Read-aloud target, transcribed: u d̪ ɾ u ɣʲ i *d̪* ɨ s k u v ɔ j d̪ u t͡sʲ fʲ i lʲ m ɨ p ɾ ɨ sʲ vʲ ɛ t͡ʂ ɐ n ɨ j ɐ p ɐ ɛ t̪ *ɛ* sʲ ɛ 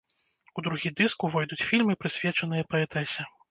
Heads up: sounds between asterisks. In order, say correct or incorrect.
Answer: correct, correct

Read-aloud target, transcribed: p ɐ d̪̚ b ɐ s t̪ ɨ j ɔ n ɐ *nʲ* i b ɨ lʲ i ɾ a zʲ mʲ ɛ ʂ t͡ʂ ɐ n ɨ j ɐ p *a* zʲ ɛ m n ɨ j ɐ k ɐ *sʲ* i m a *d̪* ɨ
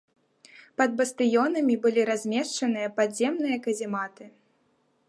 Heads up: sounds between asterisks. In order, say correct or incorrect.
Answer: incorrect, correct, incorrect, incorrect

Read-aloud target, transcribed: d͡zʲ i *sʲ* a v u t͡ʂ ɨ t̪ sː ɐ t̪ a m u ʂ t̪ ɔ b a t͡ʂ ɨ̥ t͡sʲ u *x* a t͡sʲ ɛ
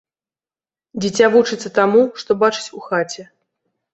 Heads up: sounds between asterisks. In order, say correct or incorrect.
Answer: incorrect, correct

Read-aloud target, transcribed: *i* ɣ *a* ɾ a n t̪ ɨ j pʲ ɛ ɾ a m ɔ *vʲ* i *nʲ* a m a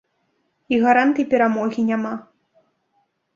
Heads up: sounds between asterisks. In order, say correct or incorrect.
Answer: correct, correct, incorrect, correct

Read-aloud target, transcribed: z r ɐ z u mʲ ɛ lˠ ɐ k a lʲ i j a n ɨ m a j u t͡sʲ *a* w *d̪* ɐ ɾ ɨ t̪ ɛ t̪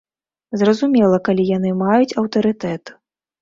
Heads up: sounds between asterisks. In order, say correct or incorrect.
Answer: incorrect, incorrect

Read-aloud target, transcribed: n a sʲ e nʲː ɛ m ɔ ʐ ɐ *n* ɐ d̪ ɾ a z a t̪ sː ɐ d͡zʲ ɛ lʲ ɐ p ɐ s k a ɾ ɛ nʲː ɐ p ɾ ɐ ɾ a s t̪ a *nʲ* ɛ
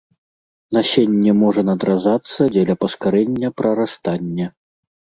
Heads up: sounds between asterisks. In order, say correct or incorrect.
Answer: correct, incorrect

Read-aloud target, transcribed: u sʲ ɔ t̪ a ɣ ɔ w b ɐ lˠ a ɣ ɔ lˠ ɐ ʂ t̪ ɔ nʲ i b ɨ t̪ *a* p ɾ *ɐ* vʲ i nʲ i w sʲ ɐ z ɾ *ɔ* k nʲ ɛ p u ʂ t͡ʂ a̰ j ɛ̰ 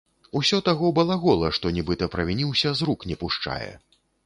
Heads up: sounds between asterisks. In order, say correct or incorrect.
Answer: incorrect, correct, incorrect

